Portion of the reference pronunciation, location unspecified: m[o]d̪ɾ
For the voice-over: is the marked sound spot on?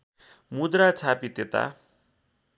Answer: no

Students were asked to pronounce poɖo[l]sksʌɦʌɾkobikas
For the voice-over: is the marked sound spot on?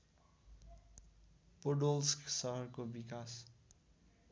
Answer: yes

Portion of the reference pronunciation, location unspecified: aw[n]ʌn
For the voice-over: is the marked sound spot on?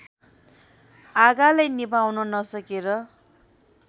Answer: yes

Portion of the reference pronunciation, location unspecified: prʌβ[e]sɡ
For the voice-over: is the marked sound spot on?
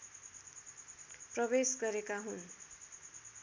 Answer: yes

